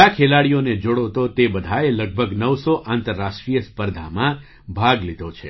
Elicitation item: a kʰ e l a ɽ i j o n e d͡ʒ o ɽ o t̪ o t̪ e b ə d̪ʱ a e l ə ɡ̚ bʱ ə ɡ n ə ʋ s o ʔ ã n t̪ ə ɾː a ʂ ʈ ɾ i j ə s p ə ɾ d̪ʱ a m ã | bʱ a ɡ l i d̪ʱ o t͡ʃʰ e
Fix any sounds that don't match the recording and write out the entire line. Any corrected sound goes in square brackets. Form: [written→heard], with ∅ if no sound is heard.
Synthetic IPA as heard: a kʰ e l a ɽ i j o n e d͡ʒ o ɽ o t̪ o t̪ e b ə d̪ʱ a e l ə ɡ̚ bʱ ə ɡ n ə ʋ s o ʔ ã n t̪ ə ɾː a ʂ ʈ ɾ i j ə s p ə ɾ d̪ʱ a m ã | bʱ a ɡ l i d̪ʱ o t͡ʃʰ e

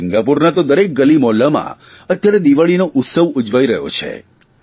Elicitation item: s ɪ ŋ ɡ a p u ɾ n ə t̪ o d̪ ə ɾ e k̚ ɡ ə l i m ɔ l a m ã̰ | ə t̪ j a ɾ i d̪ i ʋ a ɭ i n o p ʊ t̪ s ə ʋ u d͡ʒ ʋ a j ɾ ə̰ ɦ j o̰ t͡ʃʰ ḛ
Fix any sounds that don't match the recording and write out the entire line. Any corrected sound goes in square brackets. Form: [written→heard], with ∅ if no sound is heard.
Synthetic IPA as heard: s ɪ ŋ ɡ a p u ɾ n [ə→a] t̪ o d̪ ə ɾ e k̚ ɡ ə l i m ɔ l a m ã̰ | ə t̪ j a ɾ [i→e] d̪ i ʋ a ɭ i n o [p→ʔ] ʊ t̪ s ə ʋ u d͡ʒ ʋ a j ɾ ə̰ ɦ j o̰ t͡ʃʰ ḛ

